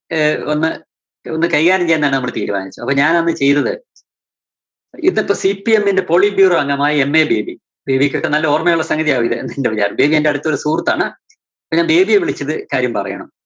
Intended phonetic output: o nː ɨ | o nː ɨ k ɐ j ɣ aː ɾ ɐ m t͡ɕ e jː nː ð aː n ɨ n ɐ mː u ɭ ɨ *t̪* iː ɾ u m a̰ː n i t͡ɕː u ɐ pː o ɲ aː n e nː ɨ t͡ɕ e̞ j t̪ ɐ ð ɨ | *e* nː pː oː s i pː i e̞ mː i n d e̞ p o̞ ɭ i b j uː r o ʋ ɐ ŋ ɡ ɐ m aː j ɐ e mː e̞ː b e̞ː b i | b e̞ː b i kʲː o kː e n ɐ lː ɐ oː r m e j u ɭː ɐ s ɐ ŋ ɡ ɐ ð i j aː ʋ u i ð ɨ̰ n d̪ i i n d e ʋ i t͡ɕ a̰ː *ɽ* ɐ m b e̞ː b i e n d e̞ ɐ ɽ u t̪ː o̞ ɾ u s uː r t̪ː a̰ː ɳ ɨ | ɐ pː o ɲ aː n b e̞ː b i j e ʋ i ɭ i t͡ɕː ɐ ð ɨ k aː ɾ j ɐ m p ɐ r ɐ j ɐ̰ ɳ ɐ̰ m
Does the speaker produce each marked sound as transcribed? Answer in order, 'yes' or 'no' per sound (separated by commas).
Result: yes, no, no